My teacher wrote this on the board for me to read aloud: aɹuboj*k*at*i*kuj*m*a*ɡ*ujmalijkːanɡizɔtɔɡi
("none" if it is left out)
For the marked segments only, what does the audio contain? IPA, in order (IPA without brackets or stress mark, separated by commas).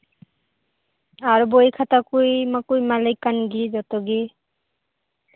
kʰ, a, m, k